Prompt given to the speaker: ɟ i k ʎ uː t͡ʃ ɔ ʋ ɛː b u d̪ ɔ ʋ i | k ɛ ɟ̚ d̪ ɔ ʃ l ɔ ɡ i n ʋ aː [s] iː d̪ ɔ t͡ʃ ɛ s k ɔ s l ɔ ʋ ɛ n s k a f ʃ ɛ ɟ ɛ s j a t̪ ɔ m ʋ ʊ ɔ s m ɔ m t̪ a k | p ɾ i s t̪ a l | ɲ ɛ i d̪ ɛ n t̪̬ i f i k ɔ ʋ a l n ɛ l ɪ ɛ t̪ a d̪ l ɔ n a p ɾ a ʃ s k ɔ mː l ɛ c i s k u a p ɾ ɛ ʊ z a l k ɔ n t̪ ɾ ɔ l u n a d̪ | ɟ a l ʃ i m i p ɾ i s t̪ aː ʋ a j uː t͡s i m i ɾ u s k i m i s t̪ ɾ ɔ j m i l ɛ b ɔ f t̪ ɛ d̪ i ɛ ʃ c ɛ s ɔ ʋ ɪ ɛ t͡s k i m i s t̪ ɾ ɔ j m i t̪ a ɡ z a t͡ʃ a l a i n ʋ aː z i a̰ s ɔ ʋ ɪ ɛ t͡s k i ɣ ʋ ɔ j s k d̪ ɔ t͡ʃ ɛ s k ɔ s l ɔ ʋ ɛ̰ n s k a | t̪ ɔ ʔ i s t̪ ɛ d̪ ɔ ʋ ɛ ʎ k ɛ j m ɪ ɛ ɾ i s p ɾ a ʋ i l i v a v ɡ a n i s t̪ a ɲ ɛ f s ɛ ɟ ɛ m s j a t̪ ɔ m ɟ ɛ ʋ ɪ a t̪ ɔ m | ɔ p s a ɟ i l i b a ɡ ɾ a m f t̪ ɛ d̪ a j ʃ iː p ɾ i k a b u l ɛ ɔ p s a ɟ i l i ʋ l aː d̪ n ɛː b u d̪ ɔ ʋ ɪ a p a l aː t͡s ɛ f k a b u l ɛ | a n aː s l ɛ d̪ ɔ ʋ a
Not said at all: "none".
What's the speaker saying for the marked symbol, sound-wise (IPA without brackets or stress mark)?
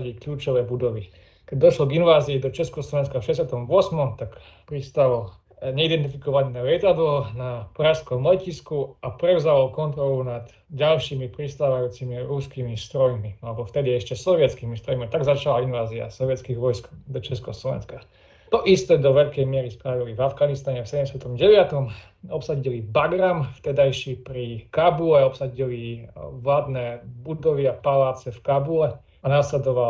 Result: z